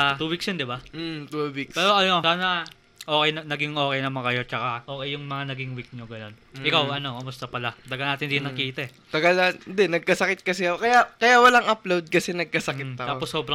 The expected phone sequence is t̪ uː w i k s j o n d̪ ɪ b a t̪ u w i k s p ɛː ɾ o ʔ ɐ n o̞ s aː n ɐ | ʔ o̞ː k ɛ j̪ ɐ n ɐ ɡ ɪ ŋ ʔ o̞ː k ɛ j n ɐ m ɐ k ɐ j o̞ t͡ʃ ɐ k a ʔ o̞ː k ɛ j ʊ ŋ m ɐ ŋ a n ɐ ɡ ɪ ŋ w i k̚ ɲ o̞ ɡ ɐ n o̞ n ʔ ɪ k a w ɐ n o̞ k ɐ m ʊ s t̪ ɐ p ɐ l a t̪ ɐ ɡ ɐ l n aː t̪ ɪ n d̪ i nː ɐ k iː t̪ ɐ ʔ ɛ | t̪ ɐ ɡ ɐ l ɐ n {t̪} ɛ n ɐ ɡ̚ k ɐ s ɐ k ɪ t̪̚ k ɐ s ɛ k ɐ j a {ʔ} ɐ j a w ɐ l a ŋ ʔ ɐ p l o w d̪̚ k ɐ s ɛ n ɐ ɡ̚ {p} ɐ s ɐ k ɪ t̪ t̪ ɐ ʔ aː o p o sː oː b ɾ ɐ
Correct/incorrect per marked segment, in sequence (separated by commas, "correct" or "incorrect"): incorrect, incorrect, incorrect